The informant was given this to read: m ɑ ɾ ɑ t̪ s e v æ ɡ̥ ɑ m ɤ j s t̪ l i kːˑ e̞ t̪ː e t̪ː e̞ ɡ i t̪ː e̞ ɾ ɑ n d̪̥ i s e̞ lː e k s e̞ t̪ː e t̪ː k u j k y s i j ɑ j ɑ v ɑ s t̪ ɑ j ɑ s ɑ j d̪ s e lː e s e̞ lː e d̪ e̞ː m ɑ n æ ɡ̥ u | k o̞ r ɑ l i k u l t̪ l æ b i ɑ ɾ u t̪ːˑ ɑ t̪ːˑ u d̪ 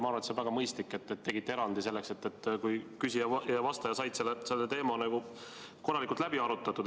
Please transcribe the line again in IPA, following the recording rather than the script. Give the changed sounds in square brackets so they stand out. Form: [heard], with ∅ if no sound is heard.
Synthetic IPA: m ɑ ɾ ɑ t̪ s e v æ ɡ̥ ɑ m ɤ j s t̪ l i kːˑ e̞ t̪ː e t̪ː e̞ ɡ i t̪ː e̞ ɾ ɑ n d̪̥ i s e̞ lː e k s e̞ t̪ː e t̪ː k u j k y s i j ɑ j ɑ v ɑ s t̪ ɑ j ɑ s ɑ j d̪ s e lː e s e̞ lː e [t̪] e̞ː m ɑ n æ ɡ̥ u | k o̞ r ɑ l i k u l t̪ l æ b i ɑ ɾ u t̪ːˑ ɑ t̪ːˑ u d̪